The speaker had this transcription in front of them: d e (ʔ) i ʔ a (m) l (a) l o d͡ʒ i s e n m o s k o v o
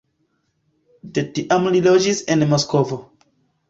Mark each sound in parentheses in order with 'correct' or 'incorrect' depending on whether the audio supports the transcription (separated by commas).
incorrect, correct, incorrect